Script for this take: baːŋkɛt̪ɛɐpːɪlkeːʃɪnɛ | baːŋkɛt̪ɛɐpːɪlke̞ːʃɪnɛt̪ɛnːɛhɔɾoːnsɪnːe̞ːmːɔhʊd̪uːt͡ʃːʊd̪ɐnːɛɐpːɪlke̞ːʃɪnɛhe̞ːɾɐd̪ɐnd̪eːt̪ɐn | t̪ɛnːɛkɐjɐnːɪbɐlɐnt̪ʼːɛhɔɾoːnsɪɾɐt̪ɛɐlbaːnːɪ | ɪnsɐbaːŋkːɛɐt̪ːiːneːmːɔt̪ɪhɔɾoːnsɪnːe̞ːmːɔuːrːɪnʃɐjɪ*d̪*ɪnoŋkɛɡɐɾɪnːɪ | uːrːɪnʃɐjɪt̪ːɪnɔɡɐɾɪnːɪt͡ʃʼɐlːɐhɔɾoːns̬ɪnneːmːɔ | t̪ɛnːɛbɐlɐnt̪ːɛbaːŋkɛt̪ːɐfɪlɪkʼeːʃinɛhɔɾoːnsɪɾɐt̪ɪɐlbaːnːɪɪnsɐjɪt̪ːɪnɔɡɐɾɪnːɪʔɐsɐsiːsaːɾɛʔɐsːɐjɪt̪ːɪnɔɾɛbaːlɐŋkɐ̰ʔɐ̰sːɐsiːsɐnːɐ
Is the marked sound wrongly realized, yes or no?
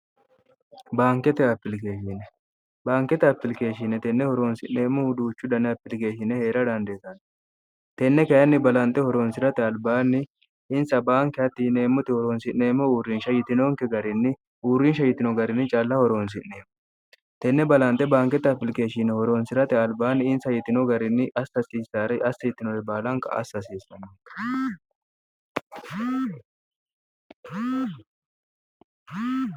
yes